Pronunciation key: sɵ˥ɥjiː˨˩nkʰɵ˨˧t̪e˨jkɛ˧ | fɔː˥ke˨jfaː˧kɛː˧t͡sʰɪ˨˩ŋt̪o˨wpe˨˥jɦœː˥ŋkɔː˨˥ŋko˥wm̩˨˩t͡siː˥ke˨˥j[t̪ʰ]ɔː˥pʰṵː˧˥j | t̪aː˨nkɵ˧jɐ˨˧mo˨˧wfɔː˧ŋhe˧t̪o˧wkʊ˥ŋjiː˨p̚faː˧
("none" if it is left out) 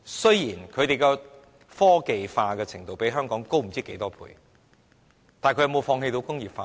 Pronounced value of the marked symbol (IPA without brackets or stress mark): t̪